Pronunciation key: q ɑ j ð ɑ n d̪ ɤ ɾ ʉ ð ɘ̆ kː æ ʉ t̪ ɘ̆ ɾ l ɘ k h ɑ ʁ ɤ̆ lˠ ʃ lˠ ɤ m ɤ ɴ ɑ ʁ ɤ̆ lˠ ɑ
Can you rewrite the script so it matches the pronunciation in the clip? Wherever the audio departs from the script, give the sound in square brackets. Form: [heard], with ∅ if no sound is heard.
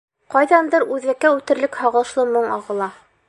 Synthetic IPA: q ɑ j ð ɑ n d̪ ɤ ɾ ʉ ð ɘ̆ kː æ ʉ t̪ ɘ̆ ɾ l ɘ k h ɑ ʁ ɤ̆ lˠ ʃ lˠ ɤ m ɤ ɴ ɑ ʁ ɤ̆ lˠ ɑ